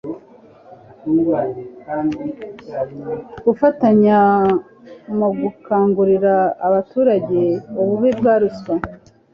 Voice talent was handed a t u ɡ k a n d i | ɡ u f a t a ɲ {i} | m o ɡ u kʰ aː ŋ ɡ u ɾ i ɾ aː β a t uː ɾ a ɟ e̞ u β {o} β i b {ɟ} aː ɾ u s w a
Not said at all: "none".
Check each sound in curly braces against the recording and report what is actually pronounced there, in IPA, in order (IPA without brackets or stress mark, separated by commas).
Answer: a, u, ɡ